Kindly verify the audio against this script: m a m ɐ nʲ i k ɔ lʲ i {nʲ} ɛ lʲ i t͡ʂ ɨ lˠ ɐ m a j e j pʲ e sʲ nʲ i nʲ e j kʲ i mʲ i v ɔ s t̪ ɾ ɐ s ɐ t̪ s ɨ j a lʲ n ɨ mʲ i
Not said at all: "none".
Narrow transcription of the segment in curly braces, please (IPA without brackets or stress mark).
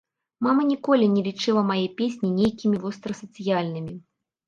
nʲ